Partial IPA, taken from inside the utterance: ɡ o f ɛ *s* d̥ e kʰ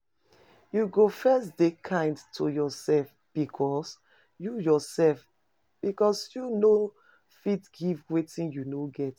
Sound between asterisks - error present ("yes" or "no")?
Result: no